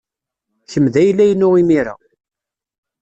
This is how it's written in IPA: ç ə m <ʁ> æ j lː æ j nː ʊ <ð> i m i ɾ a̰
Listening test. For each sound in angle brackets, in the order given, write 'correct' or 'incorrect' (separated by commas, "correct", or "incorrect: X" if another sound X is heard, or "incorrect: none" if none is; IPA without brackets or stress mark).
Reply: incorrect: ð, incorrect: ʁ